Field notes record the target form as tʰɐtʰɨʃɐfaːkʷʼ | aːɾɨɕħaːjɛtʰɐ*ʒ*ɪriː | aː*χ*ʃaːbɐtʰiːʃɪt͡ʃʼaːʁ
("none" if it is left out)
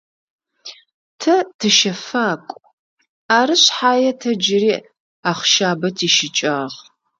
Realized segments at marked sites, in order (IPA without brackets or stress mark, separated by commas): d͡ʒ, χ